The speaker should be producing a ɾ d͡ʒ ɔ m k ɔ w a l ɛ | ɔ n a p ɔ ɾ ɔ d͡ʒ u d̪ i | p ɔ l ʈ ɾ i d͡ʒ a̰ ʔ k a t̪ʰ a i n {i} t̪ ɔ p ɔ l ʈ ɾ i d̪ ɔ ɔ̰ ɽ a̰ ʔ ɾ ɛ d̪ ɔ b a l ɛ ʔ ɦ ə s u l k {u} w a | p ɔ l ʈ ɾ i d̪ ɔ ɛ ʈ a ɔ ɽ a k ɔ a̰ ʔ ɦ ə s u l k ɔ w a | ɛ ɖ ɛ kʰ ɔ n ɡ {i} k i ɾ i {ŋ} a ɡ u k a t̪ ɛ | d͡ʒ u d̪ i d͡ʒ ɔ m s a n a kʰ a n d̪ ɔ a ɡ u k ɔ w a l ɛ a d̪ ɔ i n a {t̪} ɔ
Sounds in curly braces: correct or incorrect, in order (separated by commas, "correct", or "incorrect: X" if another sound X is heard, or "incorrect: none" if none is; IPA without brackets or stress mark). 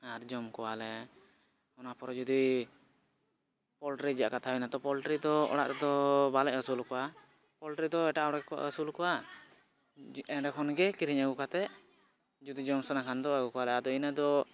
incorrect: a, incorrect: ɔ, incorrect: ɛ, incorrect: ɲ, incorrect: d̪